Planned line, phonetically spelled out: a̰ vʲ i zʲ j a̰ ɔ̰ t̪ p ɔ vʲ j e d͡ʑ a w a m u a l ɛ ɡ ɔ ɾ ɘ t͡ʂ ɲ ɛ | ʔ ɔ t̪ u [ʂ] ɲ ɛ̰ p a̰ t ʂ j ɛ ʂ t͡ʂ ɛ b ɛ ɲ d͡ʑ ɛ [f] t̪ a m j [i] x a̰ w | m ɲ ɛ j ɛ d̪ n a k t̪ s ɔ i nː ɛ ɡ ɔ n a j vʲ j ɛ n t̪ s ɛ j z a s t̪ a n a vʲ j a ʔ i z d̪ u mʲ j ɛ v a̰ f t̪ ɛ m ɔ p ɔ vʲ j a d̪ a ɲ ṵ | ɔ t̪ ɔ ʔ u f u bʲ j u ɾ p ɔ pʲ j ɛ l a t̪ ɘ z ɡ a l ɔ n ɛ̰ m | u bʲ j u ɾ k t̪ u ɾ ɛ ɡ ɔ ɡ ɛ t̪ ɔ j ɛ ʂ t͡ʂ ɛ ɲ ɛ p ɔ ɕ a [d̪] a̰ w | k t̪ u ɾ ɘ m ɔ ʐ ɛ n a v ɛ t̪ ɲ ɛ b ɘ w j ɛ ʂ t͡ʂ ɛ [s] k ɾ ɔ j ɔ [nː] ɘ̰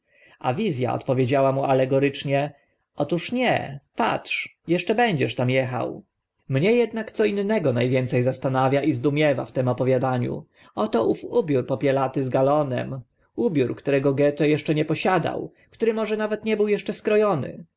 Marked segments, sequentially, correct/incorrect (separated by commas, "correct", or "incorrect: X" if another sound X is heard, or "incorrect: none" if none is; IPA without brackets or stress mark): correct, incorrect: ʂ, incorrect: ɛ, correct, correct, incorrect: n